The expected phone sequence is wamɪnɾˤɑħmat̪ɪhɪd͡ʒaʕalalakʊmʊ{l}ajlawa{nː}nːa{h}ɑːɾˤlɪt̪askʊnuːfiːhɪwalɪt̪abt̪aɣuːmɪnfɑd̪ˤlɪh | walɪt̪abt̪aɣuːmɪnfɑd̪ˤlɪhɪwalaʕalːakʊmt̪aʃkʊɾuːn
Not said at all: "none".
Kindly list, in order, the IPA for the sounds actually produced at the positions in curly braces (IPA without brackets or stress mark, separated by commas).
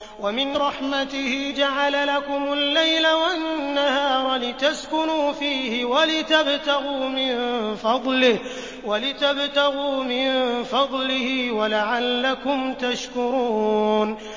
lː, n, h